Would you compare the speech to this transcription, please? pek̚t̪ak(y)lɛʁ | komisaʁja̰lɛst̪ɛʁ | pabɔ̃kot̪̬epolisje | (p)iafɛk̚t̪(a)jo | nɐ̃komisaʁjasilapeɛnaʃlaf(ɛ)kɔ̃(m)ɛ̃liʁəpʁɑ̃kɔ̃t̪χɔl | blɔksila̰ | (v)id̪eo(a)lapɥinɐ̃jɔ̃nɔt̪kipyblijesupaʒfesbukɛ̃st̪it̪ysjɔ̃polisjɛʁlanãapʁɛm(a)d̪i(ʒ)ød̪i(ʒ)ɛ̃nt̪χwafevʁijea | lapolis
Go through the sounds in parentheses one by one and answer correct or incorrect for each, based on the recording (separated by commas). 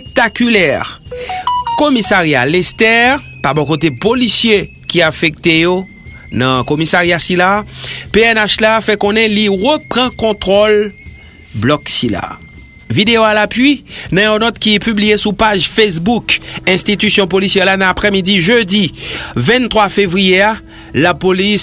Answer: correct, incorrect, incorrect, correct, incorrect, correct, correct, incorrect, correct, incorrect